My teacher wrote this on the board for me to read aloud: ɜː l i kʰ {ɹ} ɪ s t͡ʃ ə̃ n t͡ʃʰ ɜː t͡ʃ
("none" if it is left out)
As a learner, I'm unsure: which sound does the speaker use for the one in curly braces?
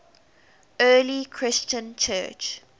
ɹ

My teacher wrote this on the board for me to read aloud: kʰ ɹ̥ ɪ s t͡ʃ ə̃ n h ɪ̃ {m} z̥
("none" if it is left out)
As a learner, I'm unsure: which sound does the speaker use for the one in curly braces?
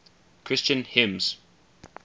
m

